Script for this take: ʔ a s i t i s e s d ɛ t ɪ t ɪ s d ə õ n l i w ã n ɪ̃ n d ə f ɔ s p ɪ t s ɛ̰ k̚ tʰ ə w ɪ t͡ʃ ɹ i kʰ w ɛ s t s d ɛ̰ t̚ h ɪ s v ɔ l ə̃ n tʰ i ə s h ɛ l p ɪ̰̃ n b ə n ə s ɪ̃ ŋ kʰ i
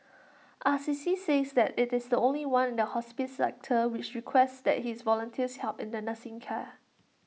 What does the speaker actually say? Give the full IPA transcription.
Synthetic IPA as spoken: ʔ a s i s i s e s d ɛ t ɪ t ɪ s d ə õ n l i w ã n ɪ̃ n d ə h ɔ s p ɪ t s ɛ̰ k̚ tʰ ə w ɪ t͡ʃ ɹ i kʰ w ɛ s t s d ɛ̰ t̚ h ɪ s v ɔ l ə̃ n tʰ i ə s h ɛ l p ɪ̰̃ n d ə n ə s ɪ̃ ŋ kʰ ɛ